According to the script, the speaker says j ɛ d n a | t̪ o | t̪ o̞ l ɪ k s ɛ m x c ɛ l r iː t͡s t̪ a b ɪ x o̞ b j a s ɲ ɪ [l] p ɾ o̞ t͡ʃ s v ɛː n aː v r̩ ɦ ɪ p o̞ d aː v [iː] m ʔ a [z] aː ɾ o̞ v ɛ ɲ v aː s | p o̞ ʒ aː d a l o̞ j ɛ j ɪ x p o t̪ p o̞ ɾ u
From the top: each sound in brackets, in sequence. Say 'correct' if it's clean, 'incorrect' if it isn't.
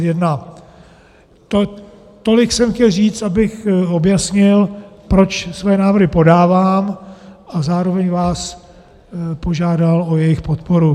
correct, incorrect: aː, correct

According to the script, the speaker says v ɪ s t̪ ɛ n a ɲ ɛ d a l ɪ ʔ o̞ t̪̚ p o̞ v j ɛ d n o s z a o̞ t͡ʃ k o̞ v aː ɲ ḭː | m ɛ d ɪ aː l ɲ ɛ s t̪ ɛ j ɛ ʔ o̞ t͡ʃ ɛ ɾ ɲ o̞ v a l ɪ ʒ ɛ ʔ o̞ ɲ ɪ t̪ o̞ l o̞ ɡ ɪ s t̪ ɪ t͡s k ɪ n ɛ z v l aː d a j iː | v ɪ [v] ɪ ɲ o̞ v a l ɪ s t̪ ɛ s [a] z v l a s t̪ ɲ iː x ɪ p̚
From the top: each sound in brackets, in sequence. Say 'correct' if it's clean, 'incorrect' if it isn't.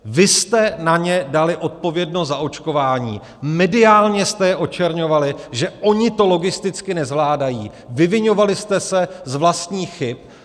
correct, incorrect: ɛ

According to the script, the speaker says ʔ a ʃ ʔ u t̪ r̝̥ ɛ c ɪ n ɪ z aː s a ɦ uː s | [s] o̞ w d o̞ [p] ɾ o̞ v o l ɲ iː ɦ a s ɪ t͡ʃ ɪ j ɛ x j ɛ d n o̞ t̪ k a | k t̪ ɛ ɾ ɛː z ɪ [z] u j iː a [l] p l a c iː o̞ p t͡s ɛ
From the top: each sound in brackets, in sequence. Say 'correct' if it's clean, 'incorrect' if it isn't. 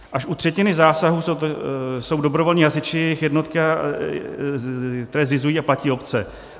correct, incorrect: b, correct, incorrect: none

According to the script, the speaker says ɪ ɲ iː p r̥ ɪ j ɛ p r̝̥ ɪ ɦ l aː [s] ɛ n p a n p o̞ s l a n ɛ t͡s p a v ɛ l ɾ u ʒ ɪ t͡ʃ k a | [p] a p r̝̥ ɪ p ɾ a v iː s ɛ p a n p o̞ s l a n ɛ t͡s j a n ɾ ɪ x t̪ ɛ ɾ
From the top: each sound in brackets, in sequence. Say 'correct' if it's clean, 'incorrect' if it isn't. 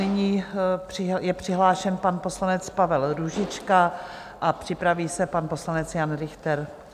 incorrect: ʃ, incorrect: ʔ

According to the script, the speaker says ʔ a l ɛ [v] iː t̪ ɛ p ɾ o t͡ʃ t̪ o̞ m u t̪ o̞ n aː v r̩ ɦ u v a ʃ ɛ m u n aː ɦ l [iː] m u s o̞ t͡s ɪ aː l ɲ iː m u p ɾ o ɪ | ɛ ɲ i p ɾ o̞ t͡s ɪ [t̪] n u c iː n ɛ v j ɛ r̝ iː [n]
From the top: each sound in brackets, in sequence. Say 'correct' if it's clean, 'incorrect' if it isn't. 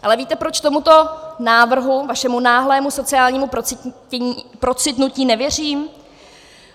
correct, incorrect: ɛː, correct, incorrect: m

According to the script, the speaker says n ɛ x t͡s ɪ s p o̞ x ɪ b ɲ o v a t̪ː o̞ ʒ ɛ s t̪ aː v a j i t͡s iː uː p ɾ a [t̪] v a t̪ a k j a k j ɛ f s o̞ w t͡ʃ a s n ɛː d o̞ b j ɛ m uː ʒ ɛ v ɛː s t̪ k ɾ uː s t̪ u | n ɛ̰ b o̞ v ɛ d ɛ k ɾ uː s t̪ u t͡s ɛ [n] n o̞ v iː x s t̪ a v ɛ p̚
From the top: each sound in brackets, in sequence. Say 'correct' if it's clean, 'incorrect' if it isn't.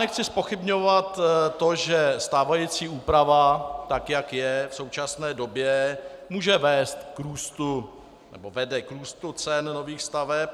incorrect: none, correct

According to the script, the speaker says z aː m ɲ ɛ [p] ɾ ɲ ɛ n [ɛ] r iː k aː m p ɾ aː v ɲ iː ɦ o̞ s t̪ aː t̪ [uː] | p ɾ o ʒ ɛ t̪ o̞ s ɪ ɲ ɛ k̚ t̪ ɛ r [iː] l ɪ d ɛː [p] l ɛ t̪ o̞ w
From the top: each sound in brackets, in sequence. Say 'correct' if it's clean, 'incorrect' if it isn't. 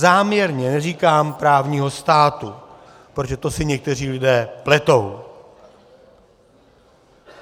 incorrect: none, correct, incorrect: u, correct, correct

